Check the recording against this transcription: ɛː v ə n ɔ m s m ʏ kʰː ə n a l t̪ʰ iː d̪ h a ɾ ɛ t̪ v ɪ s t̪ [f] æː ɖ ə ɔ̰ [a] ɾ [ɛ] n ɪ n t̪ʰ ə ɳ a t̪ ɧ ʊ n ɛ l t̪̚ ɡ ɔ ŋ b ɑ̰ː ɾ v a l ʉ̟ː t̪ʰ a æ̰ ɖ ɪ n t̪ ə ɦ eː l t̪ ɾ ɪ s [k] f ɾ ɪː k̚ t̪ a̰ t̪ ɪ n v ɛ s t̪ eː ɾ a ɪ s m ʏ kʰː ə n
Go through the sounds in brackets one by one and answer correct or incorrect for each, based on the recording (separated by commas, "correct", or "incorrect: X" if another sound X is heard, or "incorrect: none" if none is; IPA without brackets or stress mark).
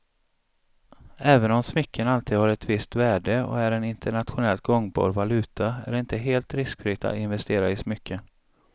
incorrect: v, incorrect: æ, correct, correct